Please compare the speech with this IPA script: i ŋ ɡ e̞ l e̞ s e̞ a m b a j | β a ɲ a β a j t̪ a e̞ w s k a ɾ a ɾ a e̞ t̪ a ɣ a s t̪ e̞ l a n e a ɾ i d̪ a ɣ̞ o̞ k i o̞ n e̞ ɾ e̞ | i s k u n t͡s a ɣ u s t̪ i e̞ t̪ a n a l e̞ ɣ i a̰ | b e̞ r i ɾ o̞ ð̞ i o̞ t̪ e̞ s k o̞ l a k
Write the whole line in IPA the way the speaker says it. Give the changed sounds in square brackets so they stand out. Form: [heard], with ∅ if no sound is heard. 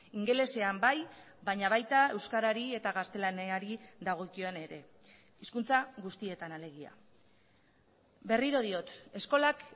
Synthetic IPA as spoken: i ŋ ɡ e̞ l e̞ s e̞ a m b a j | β a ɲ a β a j t̪ a e̞ w s k a ɾ a ɾ [i] e̞ t̪ a ɣ a s t̪ e̞ l a n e a ɾ i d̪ a ɣ̞ o̞ k i o̞ n e̞ ɾ e̞ | i s k u n t͡s a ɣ u s t̪ i e̞ t̪ a n a l e̞ ɣ i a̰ | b e̞ r i ɾ o̞ ð̞ i o̞ t̪ e̞ s k o̞ l a k